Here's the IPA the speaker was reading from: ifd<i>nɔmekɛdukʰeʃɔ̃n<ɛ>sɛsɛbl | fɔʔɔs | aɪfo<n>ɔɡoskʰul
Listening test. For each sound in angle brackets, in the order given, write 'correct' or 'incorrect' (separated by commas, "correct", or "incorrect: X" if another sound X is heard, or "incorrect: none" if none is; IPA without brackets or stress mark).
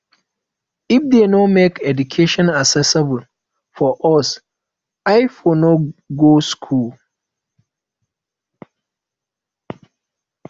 incorrect: e, incorrect: a, correct